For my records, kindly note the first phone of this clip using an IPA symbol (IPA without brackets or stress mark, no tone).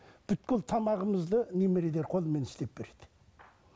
b̥